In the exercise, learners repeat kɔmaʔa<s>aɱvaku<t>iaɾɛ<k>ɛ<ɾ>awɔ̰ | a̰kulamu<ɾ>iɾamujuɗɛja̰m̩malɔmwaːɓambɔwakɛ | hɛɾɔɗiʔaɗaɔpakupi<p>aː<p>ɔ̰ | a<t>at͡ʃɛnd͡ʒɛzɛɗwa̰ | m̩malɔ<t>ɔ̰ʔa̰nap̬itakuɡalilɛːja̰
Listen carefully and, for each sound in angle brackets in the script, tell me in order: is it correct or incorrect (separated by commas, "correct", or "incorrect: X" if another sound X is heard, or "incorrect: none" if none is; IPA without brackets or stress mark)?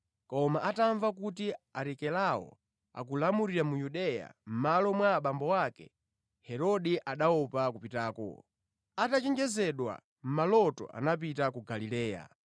incorrect: t, correct, correct, incorrect: l, correct, incorrect: t, incorrect: k, correct, correct